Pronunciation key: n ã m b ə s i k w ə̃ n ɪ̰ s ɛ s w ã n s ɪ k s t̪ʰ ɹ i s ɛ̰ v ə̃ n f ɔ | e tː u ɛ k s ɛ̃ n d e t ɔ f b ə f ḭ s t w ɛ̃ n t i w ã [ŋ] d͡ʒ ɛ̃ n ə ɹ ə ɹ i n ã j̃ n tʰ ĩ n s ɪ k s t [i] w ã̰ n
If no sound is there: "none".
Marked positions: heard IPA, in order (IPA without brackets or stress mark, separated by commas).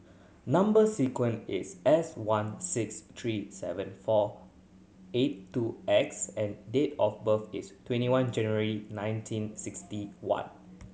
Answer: n, i